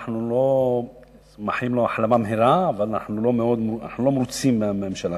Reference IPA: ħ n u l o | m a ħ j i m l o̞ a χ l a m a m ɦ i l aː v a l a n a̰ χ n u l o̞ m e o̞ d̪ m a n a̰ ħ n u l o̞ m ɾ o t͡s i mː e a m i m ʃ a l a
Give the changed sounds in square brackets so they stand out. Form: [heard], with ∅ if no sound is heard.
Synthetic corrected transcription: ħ n u l o | m a ħ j i m l o̞ a [ħ] l a m a m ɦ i [ɾ] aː v a l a n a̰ [ħ] n u l o̞ m e o̞ d̪ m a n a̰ ħ n u l o̞ m ɾ [u] t͡s i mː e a m [e] m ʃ a l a